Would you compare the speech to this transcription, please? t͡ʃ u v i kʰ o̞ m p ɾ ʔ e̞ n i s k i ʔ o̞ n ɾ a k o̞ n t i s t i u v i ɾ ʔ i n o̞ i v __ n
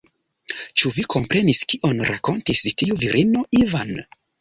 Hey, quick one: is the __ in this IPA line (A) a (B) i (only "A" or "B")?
A